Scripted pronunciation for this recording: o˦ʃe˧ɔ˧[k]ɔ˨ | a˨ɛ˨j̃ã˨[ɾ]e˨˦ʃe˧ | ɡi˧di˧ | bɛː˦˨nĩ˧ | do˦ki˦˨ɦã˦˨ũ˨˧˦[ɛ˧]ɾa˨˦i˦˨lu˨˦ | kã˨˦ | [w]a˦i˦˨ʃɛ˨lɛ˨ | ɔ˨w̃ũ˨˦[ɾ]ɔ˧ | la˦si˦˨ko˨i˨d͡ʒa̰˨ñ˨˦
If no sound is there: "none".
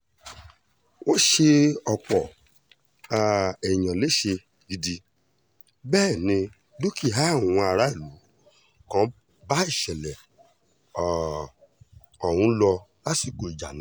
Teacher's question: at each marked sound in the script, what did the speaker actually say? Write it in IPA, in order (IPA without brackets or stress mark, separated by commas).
k͡p, l, a˧, b, l